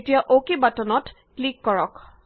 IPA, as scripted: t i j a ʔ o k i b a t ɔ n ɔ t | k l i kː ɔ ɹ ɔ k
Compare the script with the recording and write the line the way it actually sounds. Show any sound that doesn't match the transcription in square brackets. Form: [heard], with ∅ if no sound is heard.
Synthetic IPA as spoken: t i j a ʔ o k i b a t ɔ n ɔ t | k l i kː ɔ ɹ ɔ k